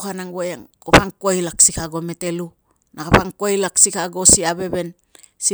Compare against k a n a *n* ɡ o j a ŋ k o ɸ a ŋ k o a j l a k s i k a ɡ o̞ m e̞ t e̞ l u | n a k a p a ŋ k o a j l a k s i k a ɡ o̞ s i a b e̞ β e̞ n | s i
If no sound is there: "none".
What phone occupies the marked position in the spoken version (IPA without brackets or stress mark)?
ŋ